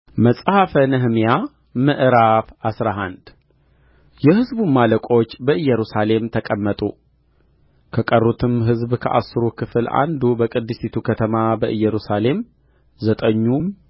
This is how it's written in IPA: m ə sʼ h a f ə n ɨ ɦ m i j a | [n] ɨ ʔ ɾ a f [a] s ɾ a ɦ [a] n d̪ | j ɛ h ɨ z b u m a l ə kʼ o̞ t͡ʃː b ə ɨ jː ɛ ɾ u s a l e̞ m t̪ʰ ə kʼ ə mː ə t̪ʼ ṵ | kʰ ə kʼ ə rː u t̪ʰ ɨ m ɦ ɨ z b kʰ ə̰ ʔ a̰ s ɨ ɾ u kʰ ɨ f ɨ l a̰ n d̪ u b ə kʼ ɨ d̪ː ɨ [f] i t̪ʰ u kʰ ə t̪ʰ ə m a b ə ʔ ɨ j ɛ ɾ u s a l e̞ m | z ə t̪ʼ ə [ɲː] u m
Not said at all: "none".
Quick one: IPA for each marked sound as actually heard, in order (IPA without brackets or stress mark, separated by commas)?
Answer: m, a, a, s, ɲː